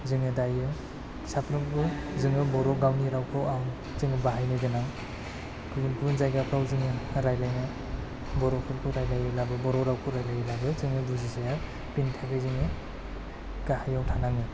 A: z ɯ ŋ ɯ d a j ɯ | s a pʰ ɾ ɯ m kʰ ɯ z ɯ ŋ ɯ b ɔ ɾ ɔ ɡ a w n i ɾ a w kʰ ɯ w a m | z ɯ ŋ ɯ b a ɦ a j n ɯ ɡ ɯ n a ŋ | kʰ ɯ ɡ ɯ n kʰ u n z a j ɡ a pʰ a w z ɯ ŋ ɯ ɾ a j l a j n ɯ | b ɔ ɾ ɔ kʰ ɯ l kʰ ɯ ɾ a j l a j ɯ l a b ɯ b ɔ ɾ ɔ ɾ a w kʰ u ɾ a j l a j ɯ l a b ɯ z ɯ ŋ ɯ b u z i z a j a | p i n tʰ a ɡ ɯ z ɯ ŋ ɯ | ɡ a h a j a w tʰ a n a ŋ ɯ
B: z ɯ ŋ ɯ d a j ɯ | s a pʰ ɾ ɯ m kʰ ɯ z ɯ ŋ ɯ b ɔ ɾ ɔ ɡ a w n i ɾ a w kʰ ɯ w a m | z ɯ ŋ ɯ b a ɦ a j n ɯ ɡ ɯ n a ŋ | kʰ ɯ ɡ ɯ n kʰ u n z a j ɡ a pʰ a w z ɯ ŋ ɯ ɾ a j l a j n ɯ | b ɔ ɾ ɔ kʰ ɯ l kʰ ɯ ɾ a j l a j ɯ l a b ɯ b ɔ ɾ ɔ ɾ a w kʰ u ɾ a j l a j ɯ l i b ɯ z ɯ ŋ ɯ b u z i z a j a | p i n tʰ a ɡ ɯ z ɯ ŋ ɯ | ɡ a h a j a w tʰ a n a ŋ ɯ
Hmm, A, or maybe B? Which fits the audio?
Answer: A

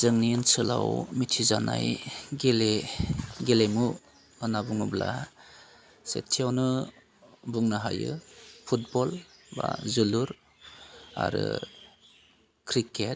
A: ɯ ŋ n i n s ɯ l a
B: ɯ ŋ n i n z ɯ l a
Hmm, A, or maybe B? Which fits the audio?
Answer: A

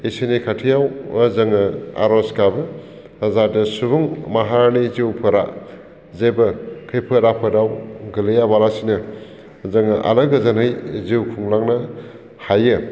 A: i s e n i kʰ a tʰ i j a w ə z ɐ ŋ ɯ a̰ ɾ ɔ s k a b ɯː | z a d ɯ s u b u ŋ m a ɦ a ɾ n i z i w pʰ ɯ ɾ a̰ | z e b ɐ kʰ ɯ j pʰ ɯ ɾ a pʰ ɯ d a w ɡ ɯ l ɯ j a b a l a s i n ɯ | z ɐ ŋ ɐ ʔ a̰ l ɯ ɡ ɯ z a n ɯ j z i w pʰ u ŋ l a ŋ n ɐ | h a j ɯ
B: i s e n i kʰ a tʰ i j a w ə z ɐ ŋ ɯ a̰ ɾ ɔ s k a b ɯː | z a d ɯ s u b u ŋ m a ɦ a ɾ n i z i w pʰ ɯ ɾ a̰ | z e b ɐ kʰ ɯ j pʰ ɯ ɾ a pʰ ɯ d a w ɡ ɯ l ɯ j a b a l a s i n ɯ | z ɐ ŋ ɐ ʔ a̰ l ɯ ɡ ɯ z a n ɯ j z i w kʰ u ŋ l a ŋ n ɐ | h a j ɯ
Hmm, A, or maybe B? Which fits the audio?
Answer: B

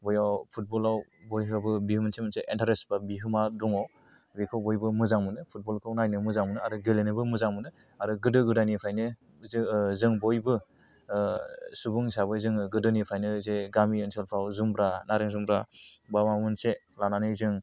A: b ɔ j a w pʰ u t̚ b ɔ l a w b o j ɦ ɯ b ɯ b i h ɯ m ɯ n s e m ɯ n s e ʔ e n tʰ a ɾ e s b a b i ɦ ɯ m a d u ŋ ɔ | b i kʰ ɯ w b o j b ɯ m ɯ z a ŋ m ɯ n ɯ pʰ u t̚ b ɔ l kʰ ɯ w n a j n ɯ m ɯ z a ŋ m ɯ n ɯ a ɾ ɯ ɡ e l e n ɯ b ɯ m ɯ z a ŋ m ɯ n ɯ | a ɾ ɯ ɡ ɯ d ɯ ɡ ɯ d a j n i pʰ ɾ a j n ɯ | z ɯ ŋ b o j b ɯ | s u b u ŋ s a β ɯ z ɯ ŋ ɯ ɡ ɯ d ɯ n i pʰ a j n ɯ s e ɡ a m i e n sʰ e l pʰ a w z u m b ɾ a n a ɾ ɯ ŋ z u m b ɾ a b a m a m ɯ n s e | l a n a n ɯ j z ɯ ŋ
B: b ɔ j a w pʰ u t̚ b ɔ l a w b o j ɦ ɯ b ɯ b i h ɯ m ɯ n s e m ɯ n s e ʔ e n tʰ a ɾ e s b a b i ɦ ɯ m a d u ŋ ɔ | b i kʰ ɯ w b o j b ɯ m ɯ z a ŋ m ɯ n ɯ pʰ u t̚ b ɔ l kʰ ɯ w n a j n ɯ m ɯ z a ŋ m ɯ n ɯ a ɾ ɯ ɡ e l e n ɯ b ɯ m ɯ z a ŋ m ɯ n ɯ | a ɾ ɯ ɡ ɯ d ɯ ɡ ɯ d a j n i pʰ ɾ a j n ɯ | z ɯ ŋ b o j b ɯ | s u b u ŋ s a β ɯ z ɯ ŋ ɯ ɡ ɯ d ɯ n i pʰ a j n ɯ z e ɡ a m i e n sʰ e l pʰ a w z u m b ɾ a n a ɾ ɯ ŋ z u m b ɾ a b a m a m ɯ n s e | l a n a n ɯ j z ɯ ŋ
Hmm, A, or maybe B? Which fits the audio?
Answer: B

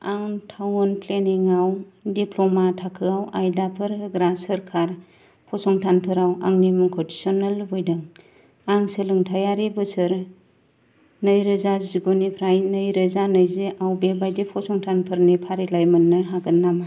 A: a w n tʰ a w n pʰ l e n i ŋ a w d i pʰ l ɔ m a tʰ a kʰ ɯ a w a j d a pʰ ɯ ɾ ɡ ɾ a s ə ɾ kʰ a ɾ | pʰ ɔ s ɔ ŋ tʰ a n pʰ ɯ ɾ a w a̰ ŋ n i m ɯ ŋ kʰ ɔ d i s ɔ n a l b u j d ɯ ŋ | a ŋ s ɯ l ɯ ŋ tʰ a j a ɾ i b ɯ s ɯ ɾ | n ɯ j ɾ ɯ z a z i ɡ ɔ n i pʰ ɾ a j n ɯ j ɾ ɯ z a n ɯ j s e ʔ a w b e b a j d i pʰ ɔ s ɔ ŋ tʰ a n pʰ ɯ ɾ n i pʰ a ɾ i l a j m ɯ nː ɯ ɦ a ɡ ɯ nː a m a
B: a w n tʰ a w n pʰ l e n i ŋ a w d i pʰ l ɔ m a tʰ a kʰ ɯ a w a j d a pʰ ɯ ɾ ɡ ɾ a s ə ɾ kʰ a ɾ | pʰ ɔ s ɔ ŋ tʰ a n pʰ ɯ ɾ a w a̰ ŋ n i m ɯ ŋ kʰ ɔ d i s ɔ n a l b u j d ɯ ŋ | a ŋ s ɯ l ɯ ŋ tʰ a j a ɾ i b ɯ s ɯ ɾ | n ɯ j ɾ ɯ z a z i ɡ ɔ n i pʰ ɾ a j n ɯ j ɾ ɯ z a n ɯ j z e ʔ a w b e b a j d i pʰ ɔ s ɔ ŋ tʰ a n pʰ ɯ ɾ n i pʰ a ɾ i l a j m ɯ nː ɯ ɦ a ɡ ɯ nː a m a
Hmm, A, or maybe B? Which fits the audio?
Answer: B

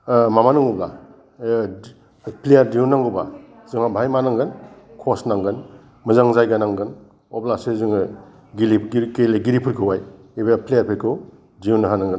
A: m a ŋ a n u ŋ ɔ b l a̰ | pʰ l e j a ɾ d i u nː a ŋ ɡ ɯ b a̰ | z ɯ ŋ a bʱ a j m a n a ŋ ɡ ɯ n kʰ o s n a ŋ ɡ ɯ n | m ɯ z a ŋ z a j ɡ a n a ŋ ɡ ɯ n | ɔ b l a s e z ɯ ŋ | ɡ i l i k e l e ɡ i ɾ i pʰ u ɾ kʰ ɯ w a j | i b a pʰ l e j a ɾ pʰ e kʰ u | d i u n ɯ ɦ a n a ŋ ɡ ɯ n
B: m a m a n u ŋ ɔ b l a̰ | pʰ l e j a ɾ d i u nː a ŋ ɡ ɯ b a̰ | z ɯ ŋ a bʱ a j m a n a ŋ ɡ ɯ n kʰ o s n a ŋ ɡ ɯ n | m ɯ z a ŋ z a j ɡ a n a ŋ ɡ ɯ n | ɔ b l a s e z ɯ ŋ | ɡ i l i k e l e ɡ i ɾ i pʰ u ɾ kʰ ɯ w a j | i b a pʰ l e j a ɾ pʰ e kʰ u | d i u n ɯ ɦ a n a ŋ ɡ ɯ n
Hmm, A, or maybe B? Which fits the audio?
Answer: B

